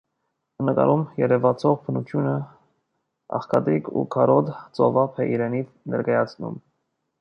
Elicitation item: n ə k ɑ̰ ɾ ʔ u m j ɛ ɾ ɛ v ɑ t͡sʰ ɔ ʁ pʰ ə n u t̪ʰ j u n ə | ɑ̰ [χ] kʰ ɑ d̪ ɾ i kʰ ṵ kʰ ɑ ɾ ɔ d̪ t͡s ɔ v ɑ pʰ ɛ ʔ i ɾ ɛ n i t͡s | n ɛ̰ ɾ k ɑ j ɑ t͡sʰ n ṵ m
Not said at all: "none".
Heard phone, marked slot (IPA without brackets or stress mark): χ